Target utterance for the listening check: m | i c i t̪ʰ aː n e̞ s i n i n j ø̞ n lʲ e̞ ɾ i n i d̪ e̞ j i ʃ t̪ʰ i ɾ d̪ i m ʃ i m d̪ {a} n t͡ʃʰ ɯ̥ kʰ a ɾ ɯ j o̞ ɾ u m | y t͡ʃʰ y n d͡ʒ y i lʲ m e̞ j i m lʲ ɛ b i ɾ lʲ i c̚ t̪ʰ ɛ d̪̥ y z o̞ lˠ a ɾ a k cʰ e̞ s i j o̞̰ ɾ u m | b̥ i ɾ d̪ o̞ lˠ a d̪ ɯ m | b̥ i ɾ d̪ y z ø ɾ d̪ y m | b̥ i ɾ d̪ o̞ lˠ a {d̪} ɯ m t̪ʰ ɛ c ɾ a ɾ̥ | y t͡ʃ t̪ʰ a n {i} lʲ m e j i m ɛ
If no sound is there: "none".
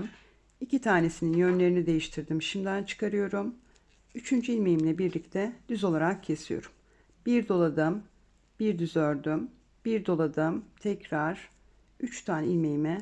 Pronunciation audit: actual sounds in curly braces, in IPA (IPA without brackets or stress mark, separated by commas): æ, d̪, i